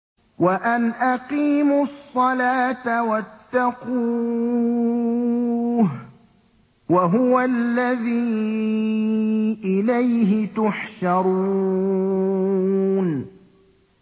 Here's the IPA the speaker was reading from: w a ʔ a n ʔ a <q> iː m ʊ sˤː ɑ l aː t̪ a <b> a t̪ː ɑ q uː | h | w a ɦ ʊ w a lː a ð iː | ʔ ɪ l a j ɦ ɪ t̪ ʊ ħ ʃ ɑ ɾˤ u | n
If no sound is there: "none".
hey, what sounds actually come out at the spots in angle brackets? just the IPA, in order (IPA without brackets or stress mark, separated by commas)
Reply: q, w